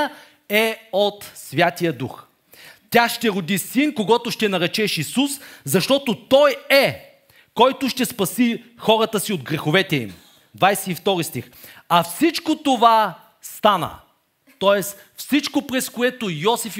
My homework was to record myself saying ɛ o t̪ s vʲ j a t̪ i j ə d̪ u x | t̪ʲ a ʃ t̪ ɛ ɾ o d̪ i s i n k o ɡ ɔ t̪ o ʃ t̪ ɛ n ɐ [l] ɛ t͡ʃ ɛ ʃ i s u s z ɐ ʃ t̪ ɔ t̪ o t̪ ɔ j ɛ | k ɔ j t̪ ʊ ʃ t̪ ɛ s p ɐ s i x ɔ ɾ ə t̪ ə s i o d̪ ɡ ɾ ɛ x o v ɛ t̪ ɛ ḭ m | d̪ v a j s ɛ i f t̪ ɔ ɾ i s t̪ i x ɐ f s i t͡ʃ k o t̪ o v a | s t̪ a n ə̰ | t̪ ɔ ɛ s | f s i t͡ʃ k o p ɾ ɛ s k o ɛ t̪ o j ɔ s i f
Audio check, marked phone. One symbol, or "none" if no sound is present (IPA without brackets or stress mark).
ɾ